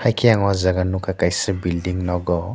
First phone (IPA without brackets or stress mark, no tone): h